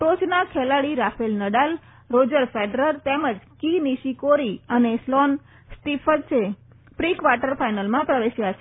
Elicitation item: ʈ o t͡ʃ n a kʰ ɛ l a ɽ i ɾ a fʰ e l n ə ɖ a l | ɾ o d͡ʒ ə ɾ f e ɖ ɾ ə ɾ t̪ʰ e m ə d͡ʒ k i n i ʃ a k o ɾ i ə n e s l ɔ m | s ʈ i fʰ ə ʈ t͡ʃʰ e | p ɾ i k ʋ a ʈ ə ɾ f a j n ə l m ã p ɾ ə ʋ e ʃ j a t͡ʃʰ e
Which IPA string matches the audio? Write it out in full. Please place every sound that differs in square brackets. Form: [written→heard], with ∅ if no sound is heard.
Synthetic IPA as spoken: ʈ o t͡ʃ n a kʰ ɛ l a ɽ i ɾ a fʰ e l n ə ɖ a l | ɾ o d͡ʒ ə ɾ f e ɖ ɾ ə ɾ [t̪ʰ→t̪] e m ə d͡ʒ k i n i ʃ [a→i] k o ɾ i ə n e s l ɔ [m→n] | s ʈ i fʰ ə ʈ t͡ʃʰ e | p ɾ i k ʋ a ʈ ə ɾ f a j n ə l m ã p ɾ ə ʋ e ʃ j a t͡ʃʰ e